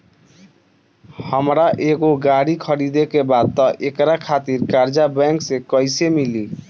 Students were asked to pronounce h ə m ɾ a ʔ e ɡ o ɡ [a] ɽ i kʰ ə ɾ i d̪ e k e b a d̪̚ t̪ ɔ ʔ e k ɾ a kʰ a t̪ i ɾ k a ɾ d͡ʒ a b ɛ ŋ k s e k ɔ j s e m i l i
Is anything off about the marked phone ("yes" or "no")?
no